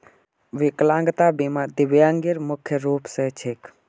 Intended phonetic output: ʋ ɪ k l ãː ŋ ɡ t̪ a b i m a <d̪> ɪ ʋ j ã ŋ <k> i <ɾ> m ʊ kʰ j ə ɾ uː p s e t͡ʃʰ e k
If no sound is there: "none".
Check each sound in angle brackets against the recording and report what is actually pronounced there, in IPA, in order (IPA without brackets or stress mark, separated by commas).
d̪, ɡ, ɾ